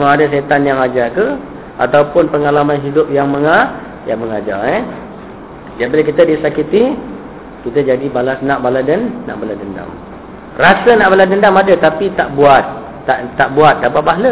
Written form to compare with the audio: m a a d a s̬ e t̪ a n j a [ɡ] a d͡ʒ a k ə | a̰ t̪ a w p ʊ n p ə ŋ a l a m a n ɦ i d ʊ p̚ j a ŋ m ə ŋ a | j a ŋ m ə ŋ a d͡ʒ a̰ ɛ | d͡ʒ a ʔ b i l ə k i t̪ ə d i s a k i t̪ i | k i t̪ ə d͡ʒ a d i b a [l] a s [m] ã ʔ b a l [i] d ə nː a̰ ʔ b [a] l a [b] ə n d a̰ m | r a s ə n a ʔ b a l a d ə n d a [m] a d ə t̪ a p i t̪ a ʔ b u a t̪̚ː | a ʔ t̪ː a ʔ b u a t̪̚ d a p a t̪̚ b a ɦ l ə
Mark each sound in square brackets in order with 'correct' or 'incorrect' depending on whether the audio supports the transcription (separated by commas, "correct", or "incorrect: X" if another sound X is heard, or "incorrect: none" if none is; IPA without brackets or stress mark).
incorrect: ŋ, correct, incorrect: n, incorrect: a, correct, incorrect: d, correct